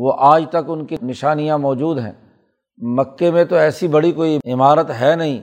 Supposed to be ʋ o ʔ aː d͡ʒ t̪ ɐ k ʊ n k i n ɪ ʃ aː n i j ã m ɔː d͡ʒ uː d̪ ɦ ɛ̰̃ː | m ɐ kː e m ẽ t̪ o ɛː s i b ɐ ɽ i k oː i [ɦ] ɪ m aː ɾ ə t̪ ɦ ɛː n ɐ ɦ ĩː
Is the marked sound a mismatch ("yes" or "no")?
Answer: yes